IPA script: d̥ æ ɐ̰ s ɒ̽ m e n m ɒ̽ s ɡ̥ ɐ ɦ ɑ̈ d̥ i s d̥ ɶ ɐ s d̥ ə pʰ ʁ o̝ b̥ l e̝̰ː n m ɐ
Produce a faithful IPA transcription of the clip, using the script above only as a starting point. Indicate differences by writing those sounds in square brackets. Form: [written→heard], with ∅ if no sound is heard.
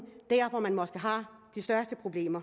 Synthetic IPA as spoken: d̥ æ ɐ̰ [s→f] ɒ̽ m [e→æ] n m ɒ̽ s ɡ̥ [ɐ→ə] ɦ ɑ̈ d̥ i s d̥ ɶ ɐ s d̥ ə pʰ ʁ o̝ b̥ l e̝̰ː [n→∅] m ɐ